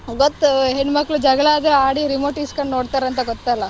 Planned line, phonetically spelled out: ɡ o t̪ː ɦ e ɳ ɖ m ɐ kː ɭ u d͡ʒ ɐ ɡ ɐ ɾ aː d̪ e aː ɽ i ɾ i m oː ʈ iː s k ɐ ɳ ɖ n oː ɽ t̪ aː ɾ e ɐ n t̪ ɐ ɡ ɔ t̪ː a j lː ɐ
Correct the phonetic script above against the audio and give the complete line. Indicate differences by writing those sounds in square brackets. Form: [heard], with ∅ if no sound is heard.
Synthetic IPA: ɡ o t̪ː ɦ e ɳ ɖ m ɐ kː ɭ u d͡ʒ ɐ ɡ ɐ [ɭ] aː d̪ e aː ɽ i ɾ i m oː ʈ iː s k ɐ ɳ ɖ n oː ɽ t̪ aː ɾ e ɐ n t̪ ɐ ɡ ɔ t̪ː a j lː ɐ